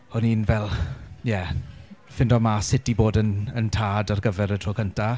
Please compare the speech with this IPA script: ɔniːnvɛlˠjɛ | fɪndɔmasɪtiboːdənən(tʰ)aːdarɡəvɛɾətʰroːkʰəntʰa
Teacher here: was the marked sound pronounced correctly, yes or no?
yes